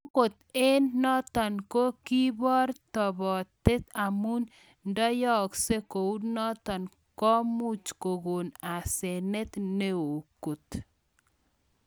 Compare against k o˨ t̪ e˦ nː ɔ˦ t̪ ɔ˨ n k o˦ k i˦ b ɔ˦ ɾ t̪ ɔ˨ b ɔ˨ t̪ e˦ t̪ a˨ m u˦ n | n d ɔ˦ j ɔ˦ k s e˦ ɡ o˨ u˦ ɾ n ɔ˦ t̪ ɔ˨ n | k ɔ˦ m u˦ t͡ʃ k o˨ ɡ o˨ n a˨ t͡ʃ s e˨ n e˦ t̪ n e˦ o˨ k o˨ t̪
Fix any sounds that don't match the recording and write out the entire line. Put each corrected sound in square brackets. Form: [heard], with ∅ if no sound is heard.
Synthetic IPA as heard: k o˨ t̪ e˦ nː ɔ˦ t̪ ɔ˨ n k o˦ k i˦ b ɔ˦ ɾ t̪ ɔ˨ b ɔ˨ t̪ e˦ t̪ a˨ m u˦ n | n d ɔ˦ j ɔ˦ k s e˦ [k] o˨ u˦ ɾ n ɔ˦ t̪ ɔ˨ n | k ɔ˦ m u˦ t͡ʃ k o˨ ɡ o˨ n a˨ [∅] s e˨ n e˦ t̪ n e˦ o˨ k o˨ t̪